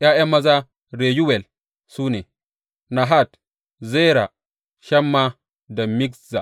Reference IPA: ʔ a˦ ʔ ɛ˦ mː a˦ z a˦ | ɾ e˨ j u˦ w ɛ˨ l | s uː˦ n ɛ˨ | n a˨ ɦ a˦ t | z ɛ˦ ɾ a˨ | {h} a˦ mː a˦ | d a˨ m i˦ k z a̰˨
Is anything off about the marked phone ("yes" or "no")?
yes